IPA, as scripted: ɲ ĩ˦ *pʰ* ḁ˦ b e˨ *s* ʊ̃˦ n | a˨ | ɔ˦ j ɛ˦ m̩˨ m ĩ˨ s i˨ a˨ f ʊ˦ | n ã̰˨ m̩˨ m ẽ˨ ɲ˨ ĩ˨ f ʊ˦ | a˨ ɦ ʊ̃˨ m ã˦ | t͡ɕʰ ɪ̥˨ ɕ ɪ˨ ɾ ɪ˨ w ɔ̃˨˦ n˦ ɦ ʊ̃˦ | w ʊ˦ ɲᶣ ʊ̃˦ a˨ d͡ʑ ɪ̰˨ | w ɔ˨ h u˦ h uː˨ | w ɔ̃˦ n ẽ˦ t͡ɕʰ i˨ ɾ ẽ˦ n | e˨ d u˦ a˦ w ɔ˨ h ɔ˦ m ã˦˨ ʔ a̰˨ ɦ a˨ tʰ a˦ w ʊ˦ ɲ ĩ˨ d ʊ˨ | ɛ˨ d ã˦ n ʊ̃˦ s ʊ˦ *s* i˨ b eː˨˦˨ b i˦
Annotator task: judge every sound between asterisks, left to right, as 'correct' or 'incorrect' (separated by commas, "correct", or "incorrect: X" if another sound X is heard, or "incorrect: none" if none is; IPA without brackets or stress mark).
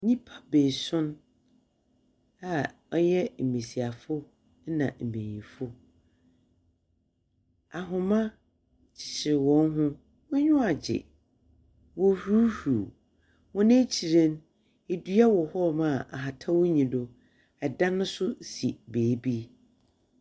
correct, correct, correct